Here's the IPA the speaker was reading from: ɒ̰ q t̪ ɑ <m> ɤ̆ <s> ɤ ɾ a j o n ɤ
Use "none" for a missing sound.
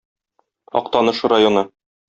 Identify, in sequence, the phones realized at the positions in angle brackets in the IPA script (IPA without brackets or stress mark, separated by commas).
n, ʃ